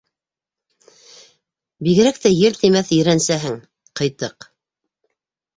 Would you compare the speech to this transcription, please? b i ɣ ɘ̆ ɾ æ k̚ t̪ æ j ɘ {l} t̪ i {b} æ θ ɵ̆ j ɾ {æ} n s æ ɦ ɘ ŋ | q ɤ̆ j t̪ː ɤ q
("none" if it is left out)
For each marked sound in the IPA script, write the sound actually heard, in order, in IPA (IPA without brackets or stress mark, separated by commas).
l, m, æ